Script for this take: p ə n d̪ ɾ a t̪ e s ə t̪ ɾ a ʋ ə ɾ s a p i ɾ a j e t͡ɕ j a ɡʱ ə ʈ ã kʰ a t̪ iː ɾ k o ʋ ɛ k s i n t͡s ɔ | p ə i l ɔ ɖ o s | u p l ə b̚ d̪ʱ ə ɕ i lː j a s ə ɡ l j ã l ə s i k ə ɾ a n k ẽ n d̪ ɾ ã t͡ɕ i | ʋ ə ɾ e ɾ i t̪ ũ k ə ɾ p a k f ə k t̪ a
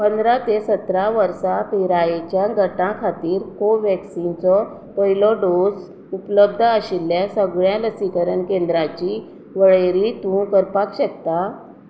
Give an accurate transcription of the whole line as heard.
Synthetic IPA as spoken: p ə n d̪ ɾ a t̪ e s ə t̪ ɾ a ʋ ə ɾ s a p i ɾ a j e t͡ɕ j a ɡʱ ə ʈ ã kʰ a t̪ iː ɾ k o ʋ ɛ k s i n t͡s ɔ | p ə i l ɔ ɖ o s | u p l ə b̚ d̪ʱ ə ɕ i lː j a s ə ɡ ɭ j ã l ə s i k ə ɾ ə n k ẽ n d̪ ɾ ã t͡ɕ i | ʋ ə ɭ e ɾ i t̪ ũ k ə ɾ p a k ɕ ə k t̪ a